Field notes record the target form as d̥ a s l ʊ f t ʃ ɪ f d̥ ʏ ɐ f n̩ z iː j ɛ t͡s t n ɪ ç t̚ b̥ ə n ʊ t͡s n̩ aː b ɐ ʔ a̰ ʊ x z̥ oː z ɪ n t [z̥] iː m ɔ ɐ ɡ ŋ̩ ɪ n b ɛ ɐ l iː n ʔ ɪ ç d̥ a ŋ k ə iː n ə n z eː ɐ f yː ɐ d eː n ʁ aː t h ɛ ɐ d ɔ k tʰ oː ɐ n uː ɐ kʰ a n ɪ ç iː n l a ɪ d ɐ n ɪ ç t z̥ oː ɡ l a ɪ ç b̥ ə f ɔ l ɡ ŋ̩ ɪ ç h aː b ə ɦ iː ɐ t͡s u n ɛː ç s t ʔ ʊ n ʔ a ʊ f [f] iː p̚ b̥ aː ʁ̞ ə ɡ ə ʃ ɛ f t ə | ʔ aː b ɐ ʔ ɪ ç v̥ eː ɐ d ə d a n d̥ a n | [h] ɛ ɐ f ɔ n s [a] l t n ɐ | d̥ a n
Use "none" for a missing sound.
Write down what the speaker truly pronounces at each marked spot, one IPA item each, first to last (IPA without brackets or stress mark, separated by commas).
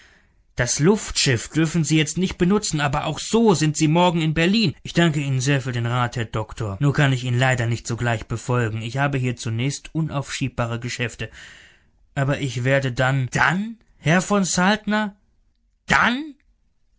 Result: z̥, ʃ, h, a